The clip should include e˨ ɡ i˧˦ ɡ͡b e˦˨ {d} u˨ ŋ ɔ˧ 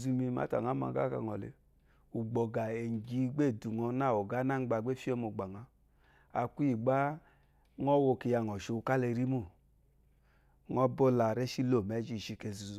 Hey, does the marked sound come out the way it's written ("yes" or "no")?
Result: yes